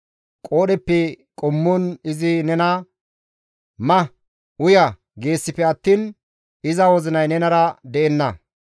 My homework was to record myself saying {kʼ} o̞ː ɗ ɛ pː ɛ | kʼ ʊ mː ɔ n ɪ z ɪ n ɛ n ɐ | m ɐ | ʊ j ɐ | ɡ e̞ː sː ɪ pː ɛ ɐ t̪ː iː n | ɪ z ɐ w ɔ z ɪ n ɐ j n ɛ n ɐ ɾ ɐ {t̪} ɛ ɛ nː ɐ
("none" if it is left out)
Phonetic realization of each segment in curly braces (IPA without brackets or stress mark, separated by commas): kʼ, d̪